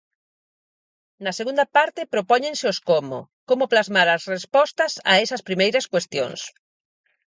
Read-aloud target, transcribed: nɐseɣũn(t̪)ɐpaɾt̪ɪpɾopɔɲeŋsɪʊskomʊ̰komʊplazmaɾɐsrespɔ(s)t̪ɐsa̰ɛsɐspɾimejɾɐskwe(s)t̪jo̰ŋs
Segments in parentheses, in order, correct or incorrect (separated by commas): incorrect, correct, correct